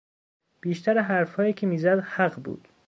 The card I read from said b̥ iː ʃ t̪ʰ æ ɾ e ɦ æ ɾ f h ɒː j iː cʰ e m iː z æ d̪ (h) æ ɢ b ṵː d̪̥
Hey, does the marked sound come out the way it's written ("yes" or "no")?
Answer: yes